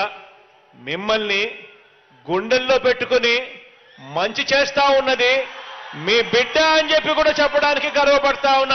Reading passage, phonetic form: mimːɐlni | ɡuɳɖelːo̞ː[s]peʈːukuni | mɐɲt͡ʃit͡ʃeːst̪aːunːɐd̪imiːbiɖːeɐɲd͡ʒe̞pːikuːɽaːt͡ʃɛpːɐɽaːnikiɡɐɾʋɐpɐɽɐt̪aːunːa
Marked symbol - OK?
no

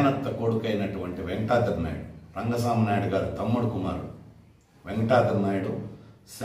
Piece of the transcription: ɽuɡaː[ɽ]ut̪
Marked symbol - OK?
no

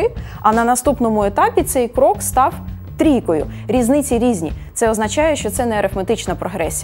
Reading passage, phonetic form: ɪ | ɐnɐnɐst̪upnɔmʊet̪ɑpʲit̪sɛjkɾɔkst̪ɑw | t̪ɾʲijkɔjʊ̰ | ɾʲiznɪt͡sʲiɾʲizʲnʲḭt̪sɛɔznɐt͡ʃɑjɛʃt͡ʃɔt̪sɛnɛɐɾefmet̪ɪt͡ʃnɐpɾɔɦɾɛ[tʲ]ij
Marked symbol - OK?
no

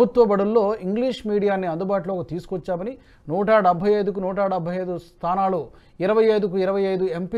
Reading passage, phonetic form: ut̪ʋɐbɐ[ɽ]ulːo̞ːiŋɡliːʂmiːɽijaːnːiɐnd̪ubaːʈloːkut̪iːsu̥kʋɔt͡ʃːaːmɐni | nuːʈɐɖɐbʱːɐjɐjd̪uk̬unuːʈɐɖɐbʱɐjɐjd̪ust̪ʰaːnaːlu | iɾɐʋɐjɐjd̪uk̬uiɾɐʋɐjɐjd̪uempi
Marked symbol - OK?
yes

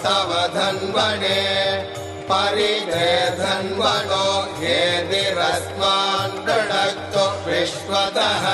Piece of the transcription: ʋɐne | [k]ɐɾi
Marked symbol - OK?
no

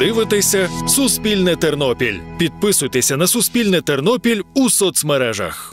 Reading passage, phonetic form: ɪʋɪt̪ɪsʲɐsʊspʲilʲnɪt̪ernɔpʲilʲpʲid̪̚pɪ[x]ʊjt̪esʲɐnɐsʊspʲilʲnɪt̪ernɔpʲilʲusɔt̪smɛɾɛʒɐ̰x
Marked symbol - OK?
no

